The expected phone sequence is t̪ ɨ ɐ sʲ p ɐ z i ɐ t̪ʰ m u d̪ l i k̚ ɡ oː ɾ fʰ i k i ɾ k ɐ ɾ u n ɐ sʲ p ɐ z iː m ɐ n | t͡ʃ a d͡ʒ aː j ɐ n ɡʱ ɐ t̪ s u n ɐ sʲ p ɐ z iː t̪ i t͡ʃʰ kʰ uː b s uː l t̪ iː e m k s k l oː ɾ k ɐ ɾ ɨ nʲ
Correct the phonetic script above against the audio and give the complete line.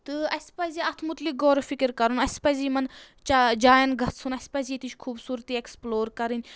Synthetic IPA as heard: t̪ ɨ ɐ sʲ p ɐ z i ɐ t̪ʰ m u t̪ l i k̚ ɡ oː ɾ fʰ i k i ɾ k ɐ ɾ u n ɐ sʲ p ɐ z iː m ɐ n | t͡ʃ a d͡ʒ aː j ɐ n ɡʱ ɐ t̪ s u n ɐ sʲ p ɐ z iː t̪ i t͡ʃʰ kʰ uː b s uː ɾ t̪ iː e k s p l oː ɾ k ɐ ɾ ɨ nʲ